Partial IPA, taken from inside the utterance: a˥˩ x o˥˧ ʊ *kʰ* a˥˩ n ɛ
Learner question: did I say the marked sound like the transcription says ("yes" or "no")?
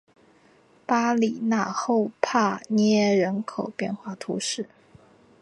no